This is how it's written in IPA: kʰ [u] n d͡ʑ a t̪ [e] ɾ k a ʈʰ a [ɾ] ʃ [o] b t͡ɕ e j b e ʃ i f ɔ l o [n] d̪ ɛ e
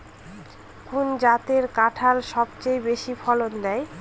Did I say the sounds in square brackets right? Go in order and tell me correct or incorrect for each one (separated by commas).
correct, correct, incorrect, incorrect, correct